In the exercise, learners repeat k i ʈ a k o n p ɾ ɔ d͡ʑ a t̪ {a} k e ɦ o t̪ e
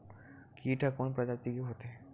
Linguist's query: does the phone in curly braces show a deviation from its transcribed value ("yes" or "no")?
yes